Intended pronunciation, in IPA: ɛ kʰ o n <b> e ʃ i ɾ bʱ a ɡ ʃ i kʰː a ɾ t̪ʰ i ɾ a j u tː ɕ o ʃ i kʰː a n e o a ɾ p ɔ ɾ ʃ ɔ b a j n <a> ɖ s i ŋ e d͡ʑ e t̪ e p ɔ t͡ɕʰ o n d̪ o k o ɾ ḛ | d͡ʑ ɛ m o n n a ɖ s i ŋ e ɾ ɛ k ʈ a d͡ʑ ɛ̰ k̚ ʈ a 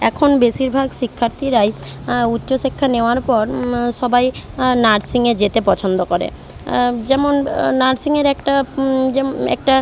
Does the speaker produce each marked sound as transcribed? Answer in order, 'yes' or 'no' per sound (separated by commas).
yes, yes